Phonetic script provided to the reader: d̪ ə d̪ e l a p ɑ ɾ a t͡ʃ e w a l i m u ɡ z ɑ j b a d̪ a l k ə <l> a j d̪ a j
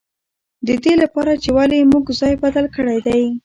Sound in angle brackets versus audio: incorrect: ɽ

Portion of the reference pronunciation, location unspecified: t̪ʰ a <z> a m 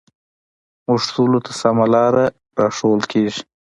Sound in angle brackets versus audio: incorrect: s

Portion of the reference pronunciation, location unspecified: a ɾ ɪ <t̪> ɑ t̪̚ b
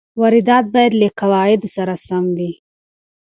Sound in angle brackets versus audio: incorrect: d̪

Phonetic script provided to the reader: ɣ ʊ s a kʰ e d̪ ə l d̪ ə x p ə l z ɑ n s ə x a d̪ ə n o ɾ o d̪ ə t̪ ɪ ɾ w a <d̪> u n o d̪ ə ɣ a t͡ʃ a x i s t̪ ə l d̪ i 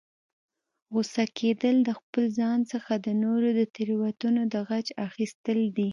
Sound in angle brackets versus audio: incorrect: t̪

